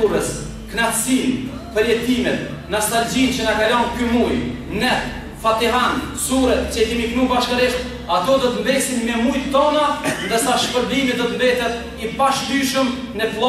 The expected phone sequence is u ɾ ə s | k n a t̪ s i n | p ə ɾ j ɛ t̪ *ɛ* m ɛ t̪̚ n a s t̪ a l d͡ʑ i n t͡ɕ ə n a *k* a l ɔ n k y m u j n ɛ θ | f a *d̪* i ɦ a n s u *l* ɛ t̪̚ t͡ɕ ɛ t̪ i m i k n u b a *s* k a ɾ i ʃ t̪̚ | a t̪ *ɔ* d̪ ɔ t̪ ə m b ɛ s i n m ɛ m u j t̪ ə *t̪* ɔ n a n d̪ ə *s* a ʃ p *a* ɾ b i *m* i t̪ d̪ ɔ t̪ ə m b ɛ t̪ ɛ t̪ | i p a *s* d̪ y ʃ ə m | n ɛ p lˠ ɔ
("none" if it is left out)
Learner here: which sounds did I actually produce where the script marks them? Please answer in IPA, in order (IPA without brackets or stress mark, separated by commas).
i, k, t̪, ɾ, ʃ, ɔ, t̪, s, ə, m, ʃ